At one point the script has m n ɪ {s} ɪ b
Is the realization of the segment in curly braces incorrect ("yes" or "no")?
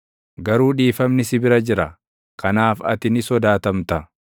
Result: no